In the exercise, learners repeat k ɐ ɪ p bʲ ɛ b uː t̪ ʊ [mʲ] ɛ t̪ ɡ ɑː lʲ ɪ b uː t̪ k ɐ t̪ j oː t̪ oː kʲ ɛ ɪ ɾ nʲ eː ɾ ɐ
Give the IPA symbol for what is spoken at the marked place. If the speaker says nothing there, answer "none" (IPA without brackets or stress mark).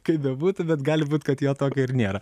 bʲ